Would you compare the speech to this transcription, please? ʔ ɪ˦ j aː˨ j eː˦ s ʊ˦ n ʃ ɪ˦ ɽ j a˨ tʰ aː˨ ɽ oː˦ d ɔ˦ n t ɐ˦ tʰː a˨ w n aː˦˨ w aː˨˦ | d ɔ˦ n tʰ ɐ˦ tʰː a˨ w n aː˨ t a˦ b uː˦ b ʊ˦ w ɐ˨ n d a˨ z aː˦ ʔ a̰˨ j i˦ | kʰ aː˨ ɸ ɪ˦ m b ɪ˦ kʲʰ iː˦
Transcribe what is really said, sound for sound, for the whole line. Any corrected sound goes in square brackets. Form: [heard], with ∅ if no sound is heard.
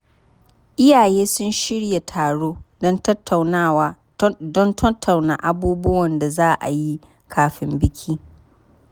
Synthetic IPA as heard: ʔ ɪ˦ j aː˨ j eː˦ s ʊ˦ n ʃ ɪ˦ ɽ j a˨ tʰ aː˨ ɽ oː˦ d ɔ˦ n t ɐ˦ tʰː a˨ w n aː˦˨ w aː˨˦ | d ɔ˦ n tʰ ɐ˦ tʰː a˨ w n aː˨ [ʔ] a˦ b uː˦ b ʊ˦ w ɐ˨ n d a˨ z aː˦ ʔ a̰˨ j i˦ | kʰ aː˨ ɸ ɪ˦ m b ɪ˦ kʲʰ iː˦